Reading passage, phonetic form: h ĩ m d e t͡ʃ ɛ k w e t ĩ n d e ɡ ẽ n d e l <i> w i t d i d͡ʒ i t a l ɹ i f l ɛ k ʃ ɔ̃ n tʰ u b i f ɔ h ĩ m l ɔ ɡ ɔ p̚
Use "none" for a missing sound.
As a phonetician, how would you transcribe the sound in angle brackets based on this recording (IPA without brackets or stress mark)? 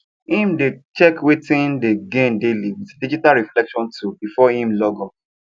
i